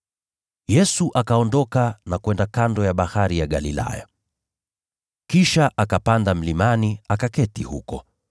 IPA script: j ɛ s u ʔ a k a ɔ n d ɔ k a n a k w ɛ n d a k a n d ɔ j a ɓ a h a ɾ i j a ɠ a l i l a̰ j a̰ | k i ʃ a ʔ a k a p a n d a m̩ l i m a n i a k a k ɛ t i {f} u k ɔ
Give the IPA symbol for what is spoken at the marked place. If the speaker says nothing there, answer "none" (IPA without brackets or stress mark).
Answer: h